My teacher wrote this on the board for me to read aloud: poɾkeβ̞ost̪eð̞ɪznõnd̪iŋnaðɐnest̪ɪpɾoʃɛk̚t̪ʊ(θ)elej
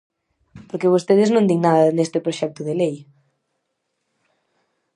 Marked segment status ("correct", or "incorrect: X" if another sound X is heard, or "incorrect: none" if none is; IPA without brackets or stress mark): incorrect: ð